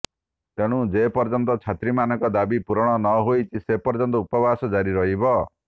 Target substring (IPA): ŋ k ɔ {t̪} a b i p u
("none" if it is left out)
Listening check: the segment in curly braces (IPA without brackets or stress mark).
d̪